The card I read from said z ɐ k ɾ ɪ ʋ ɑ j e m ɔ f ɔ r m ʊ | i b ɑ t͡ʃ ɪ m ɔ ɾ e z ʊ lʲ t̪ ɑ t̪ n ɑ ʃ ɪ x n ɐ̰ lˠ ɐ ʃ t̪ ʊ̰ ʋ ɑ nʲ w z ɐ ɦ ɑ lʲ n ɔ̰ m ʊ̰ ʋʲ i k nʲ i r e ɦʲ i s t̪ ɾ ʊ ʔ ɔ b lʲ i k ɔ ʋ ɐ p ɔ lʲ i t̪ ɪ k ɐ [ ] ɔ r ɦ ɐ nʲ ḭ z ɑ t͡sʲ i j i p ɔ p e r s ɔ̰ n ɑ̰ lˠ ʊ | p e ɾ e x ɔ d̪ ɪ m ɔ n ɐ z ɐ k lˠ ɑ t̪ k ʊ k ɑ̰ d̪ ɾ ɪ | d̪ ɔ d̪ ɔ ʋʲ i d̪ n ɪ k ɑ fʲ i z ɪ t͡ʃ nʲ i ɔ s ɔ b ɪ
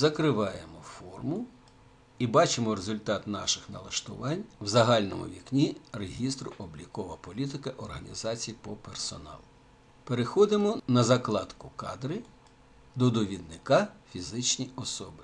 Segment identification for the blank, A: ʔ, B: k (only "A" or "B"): A